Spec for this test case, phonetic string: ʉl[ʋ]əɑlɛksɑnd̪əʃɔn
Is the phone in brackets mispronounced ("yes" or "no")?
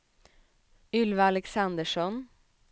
no